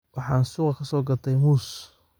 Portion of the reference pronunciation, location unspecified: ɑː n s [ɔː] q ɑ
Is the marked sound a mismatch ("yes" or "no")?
yes